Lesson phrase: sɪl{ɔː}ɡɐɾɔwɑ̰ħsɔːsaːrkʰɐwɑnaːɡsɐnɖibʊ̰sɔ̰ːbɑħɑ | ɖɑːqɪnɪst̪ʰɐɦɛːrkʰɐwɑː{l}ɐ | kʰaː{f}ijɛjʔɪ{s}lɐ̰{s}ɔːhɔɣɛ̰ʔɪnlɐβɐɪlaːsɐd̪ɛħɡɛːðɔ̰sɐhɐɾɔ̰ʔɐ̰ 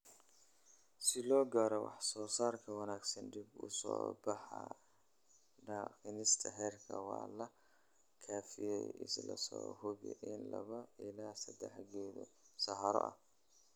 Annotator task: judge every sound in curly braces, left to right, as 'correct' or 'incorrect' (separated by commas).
correct, correct, correct, correct, correct